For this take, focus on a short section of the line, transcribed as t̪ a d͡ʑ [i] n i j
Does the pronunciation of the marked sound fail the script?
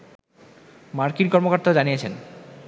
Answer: yes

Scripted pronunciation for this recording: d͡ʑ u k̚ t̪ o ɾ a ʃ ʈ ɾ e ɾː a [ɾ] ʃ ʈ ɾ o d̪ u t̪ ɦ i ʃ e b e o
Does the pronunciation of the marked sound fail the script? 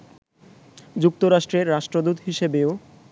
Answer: yes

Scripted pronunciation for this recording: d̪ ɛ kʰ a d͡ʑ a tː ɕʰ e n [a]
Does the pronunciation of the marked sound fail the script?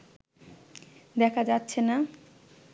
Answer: no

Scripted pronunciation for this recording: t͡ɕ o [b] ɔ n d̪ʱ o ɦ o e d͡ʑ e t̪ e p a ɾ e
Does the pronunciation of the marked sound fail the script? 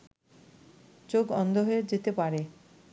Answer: yes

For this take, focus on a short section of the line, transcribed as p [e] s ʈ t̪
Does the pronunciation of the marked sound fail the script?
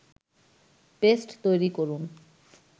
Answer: no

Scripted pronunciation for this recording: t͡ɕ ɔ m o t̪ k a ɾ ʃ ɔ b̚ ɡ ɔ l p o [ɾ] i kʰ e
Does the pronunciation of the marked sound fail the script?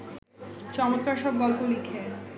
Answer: yes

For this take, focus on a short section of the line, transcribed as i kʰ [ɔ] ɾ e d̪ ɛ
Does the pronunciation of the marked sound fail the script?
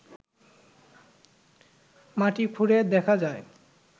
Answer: yes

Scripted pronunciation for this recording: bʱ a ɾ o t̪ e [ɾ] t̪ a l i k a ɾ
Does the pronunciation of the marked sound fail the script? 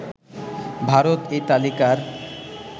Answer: yes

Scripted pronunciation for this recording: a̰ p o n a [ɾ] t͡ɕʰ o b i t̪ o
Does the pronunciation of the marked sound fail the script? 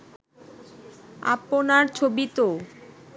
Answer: no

